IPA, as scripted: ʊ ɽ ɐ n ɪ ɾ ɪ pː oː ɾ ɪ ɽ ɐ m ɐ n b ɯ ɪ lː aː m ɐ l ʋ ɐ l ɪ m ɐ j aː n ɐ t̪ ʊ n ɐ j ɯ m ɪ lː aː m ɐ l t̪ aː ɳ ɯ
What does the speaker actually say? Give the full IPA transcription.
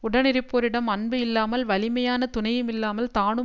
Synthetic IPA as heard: ʊ ɽ ɐ n ɪ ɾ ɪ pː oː ɾ ɪ ɽ ɐ m ɐ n b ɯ ɪ lː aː m ɐ l ʋ ɐ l ɪ m ɐ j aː n ɐ t̪ ʊ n ɐ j ɯ m ɪ lː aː m ɐ l t̪ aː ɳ ɯ